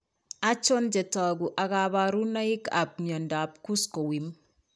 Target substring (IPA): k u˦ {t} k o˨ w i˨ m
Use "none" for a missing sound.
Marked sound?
s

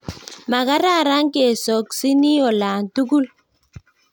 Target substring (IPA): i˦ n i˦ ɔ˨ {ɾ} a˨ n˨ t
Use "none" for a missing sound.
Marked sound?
l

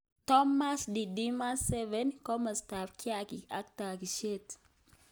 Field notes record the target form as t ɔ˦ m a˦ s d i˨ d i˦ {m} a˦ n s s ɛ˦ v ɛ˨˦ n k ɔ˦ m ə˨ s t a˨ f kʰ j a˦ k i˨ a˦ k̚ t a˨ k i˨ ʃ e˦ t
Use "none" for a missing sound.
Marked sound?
m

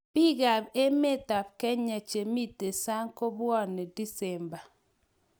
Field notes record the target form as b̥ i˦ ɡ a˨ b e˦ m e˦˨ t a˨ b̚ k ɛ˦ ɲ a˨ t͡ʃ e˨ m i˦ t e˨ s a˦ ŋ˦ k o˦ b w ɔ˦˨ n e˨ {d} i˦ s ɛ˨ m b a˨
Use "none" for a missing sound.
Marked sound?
d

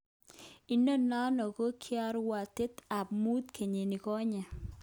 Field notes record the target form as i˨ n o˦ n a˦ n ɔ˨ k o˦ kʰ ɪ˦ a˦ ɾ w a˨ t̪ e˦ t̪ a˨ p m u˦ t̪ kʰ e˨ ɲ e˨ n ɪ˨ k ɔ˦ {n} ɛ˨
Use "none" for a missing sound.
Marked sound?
ɲ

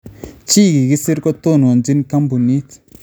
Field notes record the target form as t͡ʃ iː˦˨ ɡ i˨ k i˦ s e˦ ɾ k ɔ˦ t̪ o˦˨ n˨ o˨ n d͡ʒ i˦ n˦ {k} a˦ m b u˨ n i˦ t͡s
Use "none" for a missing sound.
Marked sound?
k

